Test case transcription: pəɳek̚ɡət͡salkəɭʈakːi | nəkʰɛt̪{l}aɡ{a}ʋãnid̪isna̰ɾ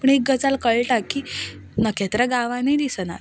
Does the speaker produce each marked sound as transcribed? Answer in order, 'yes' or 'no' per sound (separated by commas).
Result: no, yes